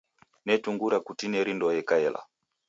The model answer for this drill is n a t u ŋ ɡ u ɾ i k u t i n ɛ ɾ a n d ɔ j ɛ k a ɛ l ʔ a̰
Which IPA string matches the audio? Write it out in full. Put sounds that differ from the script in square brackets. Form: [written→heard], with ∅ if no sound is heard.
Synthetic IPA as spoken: n [a→ɛ] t u ŋ ɡ u ɾ [i→a] k u t i n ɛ ɾ [a→i] n d ɔ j ɛ k a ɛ l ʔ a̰